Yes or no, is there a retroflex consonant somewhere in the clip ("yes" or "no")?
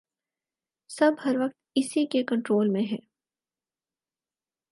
yes